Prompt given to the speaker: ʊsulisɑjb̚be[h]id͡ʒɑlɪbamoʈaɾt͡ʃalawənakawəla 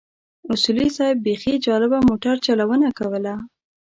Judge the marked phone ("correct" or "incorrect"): incorrect